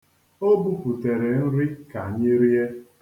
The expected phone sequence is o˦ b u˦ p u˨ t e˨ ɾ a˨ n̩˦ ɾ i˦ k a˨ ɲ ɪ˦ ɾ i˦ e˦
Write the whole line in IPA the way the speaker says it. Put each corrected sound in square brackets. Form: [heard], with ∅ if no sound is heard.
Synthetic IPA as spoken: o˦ b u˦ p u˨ t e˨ ɾ [e˨] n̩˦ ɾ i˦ k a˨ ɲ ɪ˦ ɾ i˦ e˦